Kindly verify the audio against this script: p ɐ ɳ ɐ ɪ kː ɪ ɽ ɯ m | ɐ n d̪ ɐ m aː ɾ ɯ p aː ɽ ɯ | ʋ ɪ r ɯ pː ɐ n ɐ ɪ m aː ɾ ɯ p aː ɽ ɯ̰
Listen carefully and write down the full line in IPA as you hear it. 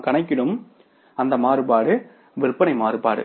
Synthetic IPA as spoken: k ɐ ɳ ɐ ɪ kː ɪ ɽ ɯ m | ɐ n d̪ ɐ m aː ɾ ɯ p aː ɽ ɯ | ʋ ɪ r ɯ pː ɐ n ɐ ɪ m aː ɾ ɯ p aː ɽ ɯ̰

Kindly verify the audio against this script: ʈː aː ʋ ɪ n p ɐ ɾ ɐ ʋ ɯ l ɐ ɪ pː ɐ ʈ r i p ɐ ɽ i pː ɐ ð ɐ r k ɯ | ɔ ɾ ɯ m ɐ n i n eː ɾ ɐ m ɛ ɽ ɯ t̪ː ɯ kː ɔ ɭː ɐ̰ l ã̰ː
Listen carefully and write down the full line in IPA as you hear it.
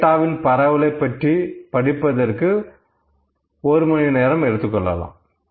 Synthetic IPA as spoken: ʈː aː ʋ ɪ n p ɐ ɾ ɐ ʋ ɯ l ɐ ɪ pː ɐ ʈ r i p ɐ ɽ ɪ pː ɐ ð ɐ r k ɯ | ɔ ɾ ɯ m ɐ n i n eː ɾ ɐ m ɛ ɽ ɯ t̪ː ɯ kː ɔ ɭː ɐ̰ l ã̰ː

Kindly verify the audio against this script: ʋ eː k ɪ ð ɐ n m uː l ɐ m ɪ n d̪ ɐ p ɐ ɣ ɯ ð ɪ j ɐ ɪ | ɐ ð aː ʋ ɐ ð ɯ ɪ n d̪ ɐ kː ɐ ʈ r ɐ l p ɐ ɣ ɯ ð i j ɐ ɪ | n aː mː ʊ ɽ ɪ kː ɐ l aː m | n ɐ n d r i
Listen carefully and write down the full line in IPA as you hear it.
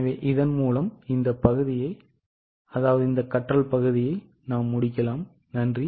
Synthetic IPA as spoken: ʋ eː ʔ ɪ ð ɐ n m uː l ɐ m ɪ n d̪ ɐ p ɐ ɣ ɯ ð ɪ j ɐ ɪ | ɐ ð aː ʋ ɐ ð ɯ ɪ n d̪ ɐ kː ɐ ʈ r ɐ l p ɐ ɣ ɯ ð ɪ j ɐ ɪ | n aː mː ʊ ɽ ɪ kː ɐ l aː m | n ɐ n d r i

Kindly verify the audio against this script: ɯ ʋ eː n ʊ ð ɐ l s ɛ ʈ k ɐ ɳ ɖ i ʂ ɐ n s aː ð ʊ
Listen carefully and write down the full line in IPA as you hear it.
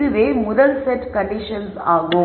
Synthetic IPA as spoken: ɯ ʋ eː m ʊ ð ɐ l s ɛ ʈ k ɐ ɳ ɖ ɪ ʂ ɐ n s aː ɣ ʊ

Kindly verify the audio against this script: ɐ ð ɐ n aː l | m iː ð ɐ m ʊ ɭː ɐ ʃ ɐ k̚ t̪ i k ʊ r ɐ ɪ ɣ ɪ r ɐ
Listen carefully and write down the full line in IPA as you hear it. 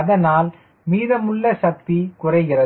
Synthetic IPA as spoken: ɐ ð ɐ n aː l | m iː ð ɐ m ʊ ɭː ɐ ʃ ɐ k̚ t̪ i k ʊ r ɐ ɪ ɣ ɪ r ɐ

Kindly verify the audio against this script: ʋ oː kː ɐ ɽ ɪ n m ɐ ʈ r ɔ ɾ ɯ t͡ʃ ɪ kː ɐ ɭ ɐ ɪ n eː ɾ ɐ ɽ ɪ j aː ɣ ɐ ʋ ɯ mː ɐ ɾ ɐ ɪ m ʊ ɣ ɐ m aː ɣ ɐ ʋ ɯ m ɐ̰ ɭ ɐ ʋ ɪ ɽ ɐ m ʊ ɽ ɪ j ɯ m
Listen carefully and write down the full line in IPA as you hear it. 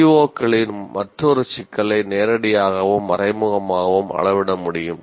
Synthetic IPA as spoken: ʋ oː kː ɐ ɭ ɪ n m ɐ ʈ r ɔ ɾ ɯ t͡ʃ ɪ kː ɐ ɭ ɐ ɪ n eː ɾ ɐ ɽ ɪ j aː ɣ ɐ ʋ ɯ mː ɐ ɾ ɐ ɪ m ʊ ɣ ɐ m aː ɣ ɐ ʋ ɯ m ɐ̰ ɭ ɐ ʋ ɪ ɽ ɐ m ʊ ɽ ɪ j ɯ m

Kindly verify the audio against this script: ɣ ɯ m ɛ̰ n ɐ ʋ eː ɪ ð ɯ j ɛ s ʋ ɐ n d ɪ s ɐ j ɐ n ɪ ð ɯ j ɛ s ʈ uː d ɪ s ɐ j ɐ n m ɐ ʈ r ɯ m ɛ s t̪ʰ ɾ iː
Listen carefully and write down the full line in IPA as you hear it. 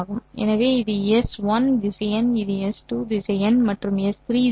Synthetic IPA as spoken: ɣ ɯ m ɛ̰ n ɐ ʋ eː ɪ ð ɯ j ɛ s ʋ ɐ n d ɪ s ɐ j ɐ n ɪ ð ɯ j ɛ s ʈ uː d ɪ s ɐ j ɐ n m ɐ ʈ r ɯ m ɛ s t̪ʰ ɾ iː

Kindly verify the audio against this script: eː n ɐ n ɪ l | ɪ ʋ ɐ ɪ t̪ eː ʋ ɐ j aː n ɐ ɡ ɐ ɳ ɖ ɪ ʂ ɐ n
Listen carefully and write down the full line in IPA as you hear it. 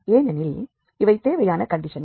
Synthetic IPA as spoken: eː n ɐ n ɪ l | ɪ ʋ ɐ ɪ t̪ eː ʋ ɐ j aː n ɐ k ɐ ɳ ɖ ɪ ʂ ɐ n

